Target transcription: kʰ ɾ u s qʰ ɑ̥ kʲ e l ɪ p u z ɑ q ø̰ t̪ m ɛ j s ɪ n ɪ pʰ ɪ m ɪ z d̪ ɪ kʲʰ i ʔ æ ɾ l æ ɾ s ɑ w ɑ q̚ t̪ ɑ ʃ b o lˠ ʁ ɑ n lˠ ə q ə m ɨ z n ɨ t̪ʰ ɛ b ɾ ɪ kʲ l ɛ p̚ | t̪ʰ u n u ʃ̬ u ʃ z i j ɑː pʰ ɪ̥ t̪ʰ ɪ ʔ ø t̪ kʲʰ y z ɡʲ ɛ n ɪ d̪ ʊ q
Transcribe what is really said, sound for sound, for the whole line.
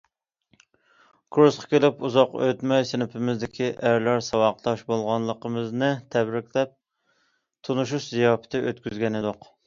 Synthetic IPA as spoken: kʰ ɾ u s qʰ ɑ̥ kʲ e l ɪ p u z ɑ q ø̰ t̪ m ɛ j s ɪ n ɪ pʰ ɪ m ɪ z d̪ ɪ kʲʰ i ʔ æ ɾ l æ ɾ s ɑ w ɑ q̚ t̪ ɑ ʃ b o lˠ ʁ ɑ n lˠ ə q ə m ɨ z n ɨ t̪ʰ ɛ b ɾ ɪ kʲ l ɛ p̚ | t̪ʰ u n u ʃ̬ u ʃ z i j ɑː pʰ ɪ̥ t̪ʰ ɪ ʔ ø t̪ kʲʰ y z ɡʲ ɛ n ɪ d̪ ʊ q

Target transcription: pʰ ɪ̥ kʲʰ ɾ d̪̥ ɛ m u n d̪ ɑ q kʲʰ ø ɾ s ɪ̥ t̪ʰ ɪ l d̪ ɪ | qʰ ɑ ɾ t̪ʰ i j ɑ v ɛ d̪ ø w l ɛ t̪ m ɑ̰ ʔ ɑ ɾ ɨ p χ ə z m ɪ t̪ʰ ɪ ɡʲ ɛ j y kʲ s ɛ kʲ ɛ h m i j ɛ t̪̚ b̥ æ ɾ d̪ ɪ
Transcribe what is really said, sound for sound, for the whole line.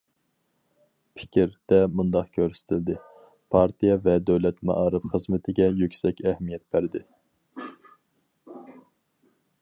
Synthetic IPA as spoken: pʰ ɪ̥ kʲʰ ɾ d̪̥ ɛ m u n d̪ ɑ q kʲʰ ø ɾ s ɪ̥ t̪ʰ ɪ l d̪ ɪ | pʰ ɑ ɾ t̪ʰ i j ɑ v ɛ d̪ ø w l ɛ t̪ m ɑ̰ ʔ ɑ ɾ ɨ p χ ə z m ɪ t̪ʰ ɪ ɡʲ ɛ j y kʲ s ɛ kʲ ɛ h m i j ɛ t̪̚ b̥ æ ɾ d̪ ɪ

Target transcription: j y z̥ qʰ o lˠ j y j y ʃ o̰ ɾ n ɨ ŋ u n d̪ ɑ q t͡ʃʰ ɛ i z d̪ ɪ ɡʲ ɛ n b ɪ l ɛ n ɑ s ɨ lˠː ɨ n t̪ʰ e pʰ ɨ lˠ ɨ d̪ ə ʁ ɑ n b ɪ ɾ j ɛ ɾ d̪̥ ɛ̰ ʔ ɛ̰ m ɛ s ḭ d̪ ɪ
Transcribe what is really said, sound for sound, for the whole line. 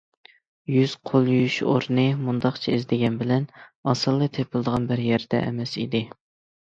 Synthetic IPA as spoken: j y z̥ qʰ o lˠ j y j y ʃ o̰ ɾ n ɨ m u n d̪ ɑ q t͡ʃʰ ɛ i z d̪ ɪ ɡʲ ɛ n b ɪ l ɛ n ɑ s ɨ lˠː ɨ t̪ʰ e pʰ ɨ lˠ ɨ d̪ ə ʁ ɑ n b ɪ ɾ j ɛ ɾ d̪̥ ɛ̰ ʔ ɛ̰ m ɛ s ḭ d̪ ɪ

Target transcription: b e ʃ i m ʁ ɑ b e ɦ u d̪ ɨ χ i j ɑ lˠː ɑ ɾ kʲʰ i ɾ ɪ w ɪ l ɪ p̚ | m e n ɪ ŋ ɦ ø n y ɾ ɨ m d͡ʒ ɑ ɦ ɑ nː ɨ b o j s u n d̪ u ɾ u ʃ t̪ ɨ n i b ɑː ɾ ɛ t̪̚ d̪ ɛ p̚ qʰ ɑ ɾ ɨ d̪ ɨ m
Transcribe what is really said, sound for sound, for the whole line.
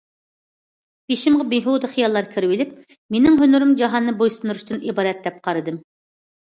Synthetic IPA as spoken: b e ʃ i m ʁ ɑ b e ɦ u d̪ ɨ χ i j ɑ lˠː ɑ ɾ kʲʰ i ɾ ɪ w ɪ l ɪ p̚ | m e n ɪ ŋ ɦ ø n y ɾ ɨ m d͡ʒ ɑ ɦ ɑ nː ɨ b o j s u n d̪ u ɾ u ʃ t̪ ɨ n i b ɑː ɾ ɛ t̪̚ d̪ ɛ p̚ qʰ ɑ ɾ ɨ d̪ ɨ m

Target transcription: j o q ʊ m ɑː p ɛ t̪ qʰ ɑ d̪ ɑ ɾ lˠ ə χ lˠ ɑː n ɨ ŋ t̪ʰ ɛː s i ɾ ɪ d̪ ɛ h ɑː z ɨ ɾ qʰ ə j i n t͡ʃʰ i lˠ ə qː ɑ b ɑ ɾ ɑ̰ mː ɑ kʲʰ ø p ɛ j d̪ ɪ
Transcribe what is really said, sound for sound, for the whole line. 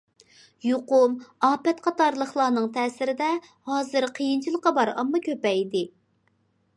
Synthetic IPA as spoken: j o q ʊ m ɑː p ɛ t̪ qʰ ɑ t̪ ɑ ɾ lˠ ə χ lˠ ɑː n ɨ ŋ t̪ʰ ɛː s ɪ ɾ ɪ d̪ ɛ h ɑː z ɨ ɾ qʰ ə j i n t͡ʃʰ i lˠ ə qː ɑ b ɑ ɾ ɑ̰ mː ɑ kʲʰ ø p ɛ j d̪ ɪ

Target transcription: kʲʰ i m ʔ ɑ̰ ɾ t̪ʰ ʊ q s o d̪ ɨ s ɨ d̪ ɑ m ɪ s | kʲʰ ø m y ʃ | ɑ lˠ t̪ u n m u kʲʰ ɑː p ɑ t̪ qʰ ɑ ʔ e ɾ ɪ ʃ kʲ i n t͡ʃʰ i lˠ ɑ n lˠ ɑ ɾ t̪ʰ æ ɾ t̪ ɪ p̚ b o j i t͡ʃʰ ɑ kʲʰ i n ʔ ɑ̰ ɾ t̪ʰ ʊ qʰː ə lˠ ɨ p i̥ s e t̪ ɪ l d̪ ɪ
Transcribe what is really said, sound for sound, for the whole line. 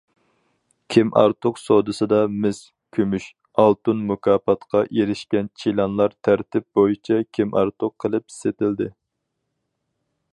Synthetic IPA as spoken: kʲʰ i m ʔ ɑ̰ ɾ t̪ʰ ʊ q s o d̪ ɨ s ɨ d̪ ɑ m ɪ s | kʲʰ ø m y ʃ | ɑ lˠ t̪ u n m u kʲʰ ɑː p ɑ t̪ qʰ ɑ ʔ e ɾ ɪ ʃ kʲ ɛ n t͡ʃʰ i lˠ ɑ n lˠ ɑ ɾ t̪ʰ æ ɾ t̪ ɪ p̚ b o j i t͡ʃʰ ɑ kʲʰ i m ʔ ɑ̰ ɾ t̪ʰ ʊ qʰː ə lˠ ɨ p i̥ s e t̪ ɪ l d̪ ɪ

